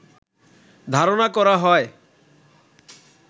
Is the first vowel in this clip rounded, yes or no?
no